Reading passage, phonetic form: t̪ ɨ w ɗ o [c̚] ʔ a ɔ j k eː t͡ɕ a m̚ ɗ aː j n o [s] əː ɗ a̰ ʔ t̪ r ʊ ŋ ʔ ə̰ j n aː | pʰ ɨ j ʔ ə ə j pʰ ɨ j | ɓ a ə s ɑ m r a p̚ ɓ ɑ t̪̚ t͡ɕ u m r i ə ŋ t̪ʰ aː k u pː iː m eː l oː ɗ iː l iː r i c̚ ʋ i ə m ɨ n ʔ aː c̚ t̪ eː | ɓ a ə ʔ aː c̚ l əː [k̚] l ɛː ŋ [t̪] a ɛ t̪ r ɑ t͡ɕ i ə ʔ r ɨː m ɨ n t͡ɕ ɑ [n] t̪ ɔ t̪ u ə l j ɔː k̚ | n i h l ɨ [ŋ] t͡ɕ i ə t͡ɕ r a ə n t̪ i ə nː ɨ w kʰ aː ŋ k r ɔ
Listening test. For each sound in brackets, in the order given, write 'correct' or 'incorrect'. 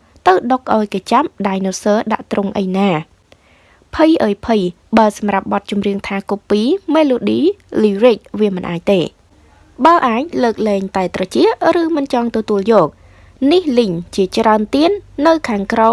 incorrect: k̚, correct, correct, correct, incorrect: ŋ, incorrect: ɲ

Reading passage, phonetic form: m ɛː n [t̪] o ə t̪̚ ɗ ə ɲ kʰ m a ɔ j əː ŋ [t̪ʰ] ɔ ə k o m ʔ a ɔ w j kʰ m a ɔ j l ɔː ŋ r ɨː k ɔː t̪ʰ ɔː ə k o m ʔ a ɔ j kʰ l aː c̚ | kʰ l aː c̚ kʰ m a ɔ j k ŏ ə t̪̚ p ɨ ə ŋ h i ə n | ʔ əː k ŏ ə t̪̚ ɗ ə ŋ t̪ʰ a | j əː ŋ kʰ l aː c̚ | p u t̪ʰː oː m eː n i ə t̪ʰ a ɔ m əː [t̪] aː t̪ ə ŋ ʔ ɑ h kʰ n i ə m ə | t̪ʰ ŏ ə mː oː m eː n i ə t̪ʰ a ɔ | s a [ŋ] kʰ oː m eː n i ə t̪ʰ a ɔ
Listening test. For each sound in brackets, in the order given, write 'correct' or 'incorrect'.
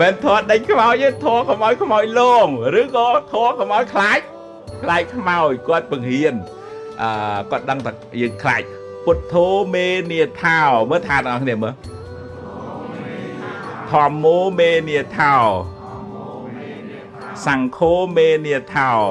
incorrect: t̪ʰ, correct, incorrect: t̪ʰ, correct

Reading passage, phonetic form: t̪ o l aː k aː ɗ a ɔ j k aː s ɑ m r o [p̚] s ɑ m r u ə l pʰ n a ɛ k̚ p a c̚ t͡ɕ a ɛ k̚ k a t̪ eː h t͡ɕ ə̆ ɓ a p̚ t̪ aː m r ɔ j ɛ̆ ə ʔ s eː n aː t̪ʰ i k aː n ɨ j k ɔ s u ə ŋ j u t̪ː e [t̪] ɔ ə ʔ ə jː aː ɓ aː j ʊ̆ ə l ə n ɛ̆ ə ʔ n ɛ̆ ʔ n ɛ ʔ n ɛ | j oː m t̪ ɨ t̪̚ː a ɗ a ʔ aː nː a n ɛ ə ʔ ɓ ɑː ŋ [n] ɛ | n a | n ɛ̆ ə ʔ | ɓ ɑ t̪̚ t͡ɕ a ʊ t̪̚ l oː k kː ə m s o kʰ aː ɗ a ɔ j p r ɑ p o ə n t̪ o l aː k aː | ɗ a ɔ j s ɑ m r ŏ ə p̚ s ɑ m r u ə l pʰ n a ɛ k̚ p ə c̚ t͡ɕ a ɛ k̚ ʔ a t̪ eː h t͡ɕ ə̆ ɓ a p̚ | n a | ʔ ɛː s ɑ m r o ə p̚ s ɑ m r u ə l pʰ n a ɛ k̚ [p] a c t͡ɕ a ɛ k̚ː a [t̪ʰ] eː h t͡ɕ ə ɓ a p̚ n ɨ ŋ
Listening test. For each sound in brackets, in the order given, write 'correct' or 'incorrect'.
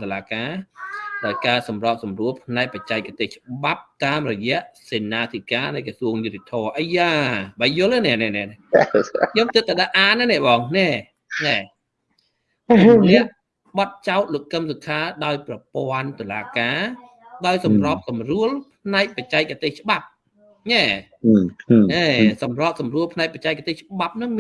correct, incorrect: t̪ʰ, correct, correct, incorrect: t̪

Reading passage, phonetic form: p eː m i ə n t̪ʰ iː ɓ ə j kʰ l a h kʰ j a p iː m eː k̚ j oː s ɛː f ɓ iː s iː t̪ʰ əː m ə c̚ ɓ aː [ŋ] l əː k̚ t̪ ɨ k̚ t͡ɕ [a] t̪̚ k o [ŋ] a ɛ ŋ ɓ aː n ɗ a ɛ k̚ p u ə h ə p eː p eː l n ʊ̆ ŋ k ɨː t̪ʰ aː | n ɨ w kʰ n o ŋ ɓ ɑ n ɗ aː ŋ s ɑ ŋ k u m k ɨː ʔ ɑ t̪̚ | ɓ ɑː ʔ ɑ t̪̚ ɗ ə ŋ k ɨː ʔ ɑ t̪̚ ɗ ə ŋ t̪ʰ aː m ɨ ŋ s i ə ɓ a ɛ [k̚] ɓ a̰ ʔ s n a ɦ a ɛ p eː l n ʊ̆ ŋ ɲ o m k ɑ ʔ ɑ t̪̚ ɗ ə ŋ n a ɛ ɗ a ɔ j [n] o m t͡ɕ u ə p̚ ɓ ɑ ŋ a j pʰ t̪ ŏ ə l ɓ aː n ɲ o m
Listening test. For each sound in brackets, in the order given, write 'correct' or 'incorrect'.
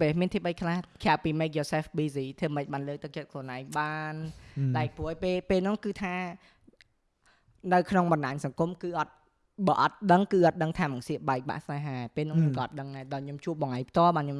incorrect: n, incorrect: ə, incorrect: n, correct, incorrect: ɲ

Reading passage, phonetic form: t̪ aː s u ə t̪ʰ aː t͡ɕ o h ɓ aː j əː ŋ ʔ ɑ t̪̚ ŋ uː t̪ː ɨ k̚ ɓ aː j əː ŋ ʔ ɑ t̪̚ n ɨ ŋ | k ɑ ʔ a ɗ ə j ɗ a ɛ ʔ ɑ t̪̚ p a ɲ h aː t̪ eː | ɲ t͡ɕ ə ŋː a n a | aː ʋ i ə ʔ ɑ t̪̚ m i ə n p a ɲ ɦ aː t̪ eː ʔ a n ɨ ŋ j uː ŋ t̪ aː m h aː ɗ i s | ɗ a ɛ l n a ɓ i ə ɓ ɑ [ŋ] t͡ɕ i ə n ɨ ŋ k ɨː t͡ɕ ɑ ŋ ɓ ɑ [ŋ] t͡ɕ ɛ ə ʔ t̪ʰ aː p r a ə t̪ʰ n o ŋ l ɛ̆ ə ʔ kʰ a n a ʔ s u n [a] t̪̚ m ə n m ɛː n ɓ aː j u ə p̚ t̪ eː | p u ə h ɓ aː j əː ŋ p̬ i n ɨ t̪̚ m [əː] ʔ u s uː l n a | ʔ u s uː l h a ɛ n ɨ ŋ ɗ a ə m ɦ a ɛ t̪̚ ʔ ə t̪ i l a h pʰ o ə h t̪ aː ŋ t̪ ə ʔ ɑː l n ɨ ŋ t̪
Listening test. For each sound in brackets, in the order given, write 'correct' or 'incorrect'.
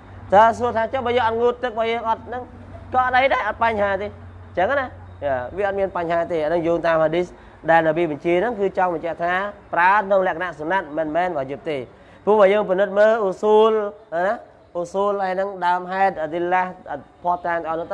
incorrect: ɲ, incorrect: ɲ, correct, correct

